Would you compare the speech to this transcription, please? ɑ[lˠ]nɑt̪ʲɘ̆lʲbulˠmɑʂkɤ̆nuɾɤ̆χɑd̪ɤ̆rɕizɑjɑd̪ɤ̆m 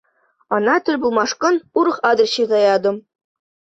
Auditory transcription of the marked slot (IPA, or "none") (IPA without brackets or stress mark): none